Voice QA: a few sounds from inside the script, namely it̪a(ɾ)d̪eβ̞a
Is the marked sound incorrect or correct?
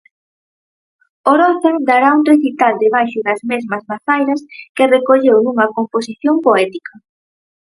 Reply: incorrect